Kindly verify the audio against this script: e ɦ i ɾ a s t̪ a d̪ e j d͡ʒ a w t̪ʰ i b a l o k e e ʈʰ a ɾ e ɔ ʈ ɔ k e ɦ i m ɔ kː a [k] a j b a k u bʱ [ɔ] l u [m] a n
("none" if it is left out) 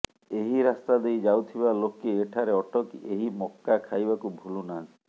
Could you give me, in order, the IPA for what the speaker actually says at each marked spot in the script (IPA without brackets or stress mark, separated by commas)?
kʰ, u, n